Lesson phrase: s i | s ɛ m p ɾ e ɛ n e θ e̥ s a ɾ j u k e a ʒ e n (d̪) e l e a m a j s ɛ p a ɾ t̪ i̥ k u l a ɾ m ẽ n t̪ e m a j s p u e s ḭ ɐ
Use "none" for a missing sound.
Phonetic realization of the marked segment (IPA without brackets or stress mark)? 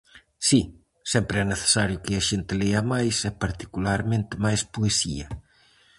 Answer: t̪